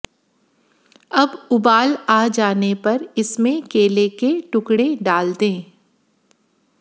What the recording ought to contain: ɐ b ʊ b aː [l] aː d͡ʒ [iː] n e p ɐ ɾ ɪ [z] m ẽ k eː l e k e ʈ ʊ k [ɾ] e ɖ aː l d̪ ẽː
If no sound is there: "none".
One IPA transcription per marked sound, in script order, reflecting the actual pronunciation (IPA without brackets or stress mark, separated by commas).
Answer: l, aː, s, ɽ